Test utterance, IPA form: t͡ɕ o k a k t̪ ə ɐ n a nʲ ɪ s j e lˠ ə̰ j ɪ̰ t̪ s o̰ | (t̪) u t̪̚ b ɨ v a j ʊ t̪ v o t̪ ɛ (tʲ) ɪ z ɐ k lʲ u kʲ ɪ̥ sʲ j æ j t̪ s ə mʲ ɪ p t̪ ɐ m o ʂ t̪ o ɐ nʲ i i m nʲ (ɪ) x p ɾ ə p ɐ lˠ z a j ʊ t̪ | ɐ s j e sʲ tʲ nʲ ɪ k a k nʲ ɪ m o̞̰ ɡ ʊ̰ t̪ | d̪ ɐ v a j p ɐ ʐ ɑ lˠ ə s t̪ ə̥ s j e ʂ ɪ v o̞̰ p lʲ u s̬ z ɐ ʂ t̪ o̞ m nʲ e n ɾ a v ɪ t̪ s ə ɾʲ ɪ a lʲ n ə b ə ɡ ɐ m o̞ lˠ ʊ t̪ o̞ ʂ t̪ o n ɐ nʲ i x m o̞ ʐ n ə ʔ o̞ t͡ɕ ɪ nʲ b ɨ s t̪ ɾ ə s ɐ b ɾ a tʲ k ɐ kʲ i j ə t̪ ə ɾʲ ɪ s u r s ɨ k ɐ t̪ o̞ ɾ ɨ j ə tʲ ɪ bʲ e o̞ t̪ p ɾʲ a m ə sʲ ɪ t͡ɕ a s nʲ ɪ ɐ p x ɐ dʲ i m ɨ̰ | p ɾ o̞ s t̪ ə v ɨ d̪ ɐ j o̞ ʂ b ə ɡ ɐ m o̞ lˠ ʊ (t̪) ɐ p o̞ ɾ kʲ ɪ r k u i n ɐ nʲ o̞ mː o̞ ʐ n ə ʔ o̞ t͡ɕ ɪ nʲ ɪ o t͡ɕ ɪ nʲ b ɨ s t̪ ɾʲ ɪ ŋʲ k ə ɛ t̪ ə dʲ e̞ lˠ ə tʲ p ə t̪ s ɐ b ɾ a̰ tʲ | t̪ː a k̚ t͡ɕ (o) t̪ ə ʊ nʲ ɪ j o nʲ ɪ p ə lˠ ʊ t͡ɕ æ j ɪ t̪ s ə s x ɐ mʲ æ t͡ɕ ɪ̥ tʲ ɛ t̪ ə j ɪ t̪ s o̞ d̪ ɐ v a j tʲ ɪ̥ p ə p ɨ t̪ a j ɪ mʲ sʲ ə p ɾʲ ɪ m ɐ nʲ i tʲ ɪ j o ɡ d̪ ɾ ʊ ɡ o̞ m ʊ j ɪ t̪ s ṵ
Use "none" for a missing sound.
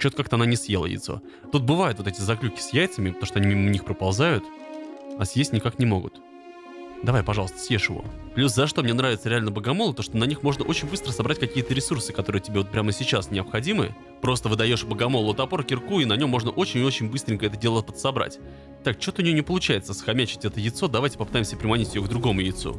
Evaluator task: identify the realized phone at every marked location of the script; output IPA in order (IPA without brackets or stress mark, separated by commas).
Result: t̪, tʲ, i, t̪, o